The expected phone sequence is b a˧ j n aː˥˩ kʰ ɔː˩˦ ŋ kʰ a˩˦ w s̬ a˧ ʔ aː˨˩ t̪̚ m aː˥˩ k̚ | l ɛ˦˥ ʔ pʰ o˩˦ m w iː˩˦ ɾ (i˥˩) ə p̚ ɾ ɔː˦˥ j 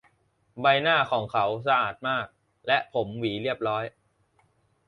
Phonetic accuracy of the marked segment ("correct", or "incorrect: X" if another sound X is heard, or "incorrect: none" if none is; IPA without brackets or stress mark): correct